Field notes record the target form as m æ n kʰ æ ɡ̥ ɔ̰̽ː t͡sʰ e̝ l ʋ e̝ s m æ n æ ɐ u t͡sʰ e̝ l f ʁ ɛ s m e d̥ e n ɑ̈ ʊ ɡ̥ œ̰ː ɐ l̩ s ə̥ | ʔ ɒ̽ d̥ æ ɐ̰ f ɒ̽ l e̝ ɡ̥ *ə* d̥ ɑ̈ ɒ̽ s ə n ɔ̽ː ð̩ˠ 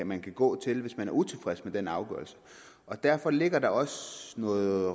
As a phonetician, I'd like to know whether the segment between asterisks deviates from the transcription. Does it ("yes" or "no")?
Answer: yes